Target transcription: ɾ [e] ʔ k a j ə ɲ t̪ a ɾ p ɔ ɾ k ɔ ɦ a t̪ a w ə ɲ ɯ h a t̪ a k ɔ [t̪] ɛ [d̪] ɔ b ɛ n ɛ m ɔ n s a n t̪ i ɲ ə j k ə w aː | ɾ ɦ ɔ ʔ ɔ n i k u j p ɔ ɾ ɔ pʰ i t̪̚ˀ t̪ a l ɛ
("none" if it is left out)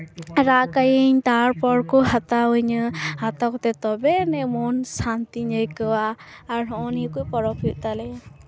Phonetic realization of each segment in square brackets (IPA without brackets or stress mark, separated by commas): a, t̪, t̪